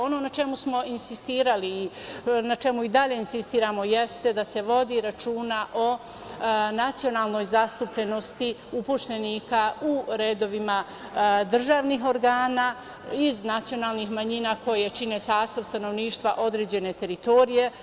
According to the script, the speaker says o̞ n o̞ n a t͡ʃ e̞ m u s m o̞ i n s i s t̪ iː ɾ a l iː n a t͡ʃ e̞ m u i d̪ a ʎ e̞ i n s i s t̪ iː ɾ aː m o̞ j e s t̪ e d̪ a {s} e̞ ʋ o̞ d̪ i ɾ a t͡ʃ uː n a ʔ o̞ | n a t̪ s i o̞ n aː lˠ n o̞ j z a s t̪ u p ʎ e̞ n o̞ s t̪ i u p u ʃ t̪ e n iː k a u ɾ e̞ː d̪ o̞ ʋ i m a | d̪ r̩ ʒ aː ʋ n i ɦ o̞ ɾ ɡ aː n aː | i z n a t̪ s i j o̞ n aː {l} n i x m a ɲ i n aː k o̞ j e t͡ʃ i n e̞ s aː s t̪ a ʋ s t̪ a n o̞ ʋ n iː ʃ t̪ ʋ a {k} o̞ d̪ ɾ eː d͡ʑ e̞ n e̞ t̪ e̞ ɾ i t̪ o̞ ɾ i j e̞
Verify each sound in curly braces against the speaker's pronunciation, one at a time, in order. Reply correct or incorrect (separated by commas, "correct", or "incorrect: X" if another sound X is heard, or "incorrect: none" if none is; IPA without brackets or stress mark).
correct, correct, incorrect: ʔ